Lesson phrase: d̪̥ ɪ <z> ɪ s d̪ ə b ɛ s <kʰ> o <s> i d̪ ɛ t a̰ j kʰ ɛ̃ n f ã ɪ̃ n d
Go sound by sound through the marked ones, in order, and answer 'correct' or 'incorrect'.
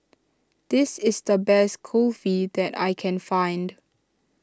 incorrect, correct, incorrect

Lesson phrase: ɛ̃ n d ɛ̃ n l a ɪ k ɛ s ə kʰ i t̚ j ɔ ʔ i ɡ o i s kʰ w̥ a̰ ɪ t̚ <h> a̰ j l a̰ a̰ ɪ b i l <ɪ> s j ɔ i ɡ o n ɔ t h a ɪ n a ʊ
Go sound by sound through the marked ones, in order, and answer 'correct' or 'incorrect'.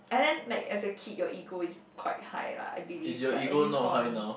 correct, incorrect

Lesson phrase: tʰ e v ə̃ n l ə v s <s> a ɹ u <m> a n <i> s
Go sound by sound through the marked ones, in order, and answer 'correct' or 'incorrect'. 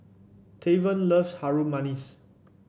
incorrect, correct, correct

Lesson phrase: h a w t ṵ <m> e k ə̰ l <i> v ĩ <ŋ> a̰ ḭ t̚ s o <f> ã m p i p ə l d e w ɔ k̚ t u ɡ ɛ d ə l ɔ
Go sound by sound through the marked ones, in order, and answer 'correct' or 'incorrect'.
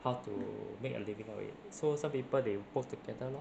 correct, correct, correct, incorrect

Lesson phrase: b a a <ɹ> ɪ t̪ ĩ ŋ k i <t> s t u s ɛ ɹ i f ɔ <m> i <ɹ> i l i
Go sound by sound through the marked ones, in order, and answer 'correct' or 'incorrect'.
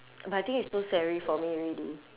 incorrect, correct, correct, correct

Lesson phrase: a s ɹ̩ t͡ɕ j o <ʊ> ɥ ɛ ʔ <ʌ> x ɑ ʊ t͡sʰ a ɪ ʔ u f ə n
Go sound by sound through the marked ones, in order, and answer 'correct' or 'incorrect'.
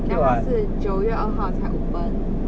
correct, incorrect

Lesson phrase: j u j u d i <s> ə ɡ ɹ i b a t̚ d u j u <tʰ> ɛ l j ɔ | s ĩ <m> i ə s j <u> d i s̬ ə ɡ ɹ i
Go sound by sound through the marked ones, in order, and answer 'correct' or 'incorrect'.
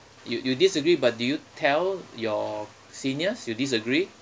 correct, correct, incorrect, correct

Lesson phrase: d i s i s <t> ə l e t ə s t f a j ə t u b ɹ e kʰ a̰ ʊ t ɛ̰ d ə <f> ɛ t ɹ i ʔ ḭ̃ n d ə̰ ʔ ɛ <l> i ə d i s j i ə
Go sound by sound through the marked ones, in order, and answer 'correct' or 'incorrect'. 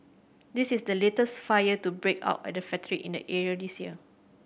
incorrect, correct, incorrect

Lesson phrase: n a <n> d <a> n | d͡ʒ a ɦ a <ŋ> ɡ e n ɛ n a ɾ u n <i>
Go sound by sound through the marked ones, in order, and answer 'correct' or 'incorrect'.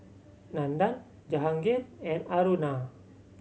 correct, correct, correct, incorrect

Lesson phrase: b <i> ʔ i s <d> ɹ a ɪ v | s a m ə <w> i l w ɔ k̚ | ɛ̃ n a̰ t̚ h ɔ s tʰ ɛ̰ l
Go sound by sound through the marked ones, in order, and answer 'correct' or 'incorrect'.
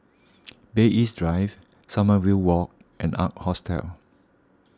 incorrect, correct, correct

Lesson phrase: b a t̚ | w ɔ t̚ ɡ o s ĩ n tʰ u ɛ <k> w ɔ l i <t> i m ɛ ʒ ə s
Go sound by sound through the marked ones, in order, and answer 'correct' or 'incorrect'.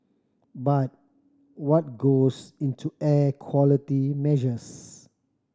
incorrect, correct

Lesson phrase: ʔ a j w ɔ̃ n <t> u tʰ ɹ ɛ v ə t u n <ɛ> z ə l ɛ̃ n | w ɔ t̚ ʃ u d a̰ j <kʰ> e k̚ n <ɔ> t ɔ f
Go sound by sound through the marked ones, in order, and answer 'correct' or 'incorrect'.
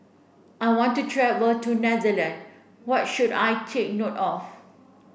correct, correct, incorrect, incorrect

